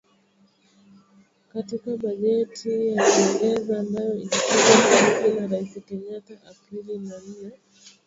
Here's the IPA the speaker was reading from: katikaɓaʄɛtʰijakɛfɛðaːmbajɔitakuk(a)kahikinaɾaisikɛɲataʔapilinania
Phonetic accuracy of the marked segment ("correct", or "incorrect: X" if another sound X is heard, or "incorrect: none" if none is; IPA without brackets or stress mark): correct